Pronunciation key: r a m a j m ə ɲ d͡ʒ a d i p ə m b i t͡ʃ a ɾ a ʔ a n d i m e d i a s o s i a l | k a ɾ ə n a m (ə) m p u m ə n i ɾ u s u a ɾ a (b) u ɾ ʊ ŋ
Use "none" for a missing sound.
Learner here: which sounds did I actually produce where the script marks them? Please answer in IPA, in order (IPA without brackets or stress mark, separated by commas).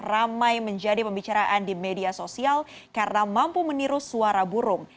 a, b